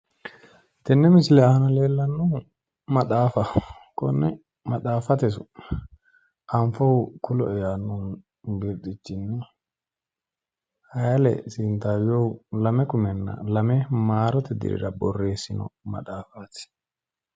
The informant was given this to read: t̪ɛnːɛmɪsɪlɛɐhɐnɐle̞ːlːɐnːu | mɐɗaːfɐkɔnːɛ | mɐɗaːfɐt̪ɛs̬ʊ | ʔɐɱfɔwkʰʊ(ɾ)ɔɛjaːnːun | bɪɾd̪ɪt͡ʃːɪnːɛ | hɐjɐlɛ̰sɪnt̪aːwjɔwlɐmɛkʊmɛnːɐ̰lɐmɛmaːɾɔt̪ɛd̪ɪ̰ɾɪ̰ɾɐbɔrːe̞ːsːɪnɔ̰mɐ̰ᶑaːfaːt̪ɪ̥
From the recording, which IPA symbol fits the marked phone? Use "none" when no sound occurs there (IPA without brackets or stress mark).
l